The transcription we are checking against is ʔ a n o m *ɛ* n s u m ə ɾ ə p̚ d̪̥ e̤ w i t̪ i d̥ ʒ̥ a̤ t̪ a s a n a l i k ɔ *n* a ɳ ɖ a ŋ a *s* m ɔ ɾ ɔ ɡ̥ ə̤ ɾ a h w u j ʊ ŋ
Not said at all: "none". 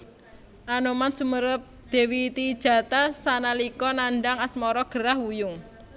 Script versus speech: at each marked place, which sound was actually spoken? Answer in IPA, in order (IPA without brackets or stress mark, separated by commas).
a, n, s